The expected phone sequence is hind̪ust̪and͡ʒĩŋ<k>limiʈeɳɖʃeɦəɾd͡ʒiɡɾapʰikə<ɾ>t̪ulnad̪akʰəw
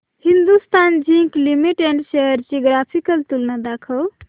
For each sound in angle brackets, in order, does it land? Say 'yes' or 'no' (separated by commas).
yes, no